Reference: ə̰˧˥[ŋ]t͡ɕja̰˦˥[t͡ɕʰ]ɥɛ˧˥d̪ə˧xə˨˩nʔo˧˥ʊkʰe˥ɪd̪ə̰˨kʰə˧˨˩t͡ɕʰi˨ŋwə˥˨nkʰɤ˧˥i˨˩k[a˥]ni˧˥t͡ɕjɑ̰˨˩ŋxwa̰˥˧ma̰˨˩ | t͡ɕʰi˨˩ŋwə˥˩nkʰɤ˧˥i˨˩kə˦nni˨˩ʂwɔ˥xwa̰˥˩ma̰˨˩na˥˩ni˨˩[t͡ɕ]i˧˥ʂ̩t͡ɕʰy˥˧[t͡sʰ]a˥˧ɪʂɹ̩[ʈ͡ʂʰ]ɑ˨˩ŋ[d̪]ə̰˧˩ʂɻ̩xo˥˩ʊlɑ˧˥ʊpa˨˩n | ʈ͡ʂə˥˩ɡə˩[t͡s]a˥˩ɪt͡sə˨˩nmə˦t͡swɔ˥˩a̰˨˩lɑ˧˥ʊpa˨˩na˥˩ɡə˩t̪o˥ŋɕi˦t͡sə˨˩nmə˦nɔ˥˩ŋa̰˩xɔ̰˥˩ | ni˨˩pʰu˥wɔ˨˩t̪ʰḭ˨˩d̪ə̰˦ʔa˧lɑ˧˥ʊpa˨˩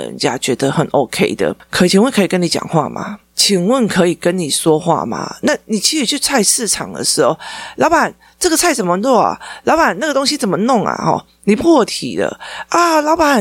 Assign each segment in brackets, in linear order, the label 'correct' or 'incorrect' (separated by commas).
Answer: incorrect, incorrect, incorrect, incorrect, correct, correct, correct, incorrect